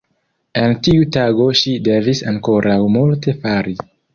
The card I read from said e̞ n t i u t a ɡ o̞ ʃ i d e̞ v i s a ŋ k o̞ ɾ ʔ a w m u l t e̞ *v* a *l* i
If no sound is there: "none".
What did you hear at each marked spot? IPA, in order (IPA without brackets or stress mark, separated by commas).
f, ɾ